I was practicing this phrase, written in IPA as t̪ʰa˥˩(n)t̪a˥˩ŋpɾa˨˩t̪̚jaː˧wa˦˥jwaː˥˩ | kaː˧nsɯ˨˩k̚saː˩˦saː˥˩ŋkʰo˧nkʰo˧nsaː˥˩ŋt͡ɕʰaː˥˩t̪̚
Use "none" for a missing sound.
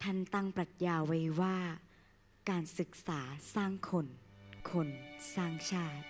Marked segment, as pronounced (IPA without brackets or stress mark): n